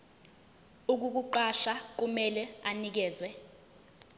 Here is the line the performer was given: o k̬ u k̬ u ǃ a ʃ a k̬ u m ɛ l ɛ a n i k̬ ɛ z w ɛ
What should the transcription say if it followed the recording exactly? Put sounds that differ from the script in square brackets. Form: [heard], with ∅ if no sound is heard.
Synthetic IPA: [u] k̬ u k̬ u ǃ a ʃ a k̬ u m ɛ l ɛ a n i k̬ [ɛː] z w ɛ